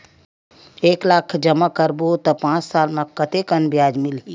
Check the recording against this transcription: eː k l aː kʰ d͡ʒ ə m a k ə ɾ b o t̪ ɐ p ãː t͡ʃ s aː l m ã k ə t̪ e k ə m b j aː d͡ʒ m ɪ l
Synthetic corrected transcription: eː k l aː kʰ d͡ʒ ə m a k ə ɾ b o t̪ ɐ p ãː t͡ʃ s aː l m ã k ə t̪ e k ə n b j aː d͡ʒ m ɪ l